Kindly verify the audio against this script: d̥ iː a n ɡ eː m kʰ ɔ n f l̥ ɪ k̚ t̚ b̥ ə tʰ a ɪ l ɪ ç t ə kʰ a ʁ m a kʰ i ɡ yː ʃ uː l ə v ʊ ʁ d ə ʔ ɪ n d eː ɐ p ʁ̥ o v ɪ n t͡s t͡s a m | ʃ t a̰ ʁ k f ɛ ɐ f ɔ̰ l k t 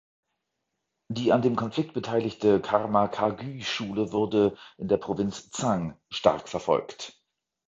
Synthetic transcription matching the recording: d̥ iː a n d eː m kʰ ɔ n f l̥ ɪ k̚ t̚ b̥ ə tʰ a ɪ l ɪ ç t ə kʰ a ʁ m a kʰ a ɡ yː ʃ uː l ə v ʊ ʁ d ə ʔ ɪ n d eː ɐ p ʁ̥ o v ɪ n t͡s t͡s a ŋ | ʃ t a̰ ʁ k f ɛ ɐ f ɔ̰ l k t

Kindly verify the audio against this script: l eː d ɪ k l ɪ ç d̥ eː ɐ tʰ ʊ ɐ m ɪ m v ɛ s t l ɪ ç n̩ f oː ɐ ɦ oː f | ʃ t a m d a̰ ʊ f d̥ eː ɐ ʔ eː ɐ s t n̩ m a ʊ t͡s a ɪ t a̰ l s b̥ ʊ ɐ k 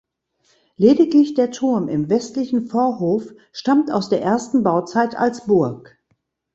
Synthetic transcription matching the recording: l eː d ɪ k l ɪ ç d̥ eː ɐ tʰ ʊ ɐ m ɪ m v ɛ s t l ɪ ç n̩ f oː ɐ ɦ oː f | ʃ t a m t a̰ ʊ s d̥ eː ɐ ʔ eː ɐ s t n̩ b a ʊ t͡s a ɪ t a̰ l s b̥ ʊ ɐ k

